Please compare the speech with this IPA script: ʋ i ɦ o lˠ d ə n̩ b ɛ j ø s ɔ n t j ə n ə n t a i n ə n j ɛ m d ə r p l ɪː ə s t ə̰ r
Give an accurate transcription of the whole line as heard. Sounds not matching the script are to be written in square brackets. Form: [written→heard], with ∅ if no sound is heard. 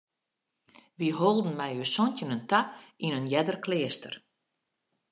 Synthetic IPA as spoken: ʋ i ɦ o lˠ d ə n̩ [b→m] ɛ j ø s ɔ n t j ə n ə n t a i n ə n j ɛ [m→∅] d ə r [p→k] l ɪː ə s t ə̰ r